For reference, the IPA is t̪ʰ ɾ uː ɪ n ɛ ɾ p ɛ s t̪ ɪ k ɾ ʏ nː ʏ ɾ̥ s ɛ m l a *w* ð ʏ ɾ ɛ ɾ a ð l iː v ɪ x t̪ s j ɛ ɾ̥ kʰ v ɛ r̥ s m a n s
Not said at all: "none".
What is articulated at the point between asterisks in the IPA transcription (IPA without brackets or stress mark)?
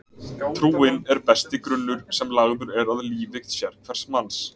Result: ɣ